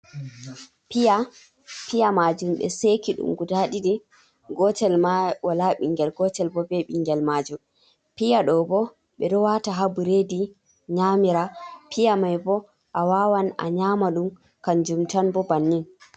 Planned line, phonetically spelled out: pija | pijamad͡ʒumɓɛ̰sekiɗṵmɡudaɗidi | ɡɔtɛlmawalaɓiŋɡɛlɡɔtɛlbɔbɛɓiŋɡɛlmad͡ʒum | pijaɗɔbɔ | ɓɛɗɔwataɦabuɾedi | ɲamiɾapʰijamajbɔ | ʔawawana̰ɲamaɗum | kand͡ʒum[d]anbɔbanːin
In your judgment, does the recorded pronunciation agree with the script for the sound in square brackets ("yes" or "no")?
no